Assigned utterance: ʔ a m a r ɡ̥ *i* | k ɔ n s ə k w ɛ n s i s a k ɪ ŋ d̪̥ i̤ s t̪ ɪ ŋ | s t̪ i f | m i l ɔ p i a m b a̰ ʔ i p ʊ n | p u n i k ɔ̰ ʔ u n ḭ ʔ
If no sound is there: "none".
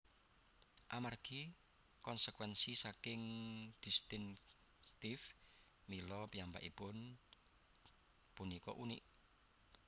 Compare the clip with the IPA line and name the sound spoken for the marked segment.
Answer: i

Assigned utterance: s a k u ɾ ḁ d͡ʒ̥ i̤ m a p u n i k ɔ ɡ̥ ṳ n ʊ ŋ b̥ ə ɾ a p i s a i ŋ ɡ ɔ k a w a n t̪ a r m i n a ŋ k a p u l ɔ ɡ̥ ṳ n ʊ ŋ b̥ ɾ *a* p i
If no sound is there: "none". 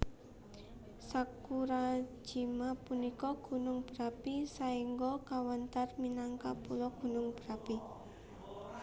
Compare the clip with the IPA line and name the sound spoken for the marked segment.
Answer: a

